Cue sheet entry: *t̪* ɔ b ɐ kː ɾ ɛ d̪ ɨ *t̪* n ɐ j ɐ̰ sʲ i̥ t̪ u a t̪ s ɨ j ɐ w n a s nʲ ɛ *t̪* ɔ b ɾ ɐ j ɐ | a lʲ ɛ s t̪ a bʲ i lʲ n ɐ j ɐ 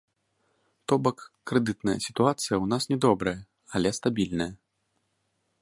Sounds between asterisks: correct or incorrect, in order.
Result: correct, correct, incorrect: d̪

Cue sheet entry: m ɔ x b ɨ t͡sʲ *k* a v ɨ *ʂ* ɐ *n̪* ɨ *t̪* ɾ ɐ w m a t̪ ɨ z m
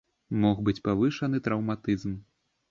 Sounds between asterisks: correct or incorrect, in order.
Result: incorrect: p, correct, correct, correct

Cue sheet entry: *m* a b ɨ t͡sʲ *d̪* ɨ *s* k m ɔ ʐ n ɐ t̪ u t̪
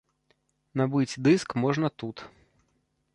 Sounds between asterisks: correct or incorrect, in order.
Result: incorrect: n, correct, correct

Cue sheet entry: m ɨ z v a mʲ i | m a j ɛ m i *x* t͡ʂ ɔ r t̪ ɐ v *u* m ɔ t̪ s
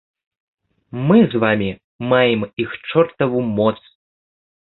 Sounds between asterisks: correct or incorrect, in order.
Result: correct, correct

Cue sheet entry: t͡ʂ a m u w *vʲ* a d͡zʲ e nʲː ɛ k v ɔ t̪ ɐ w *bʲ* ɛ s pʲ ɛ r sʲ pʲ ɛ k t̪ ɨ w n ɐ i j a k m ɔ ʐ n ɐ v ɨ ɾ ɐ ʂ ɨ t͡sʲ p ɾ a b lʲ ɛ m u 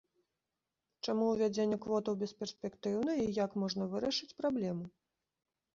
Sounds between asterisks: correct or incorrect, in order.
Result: correct, correct

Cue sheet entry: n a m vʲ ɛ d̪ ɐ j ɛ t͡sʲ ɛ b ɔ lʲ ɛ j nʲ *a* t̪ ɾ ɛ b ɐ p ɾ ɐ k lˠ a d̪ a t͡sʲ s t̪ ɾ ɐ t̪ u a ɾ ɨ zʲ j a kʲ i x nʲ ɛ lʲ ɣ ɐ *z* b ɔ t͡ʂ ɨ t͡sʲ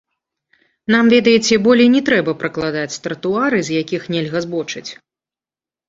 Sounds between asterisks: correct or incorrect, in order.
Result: incorrect: ɛ, correct

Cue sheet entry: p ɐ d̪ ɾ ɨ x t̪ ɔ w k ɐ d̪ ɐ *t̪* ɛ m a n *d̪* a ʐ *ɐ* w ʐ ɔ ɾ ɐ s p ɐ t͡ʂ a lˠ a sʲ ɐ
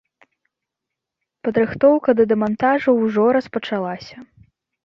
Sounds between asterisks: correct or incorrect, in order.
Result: incorrect: d̪, incorrect: t̪, correct

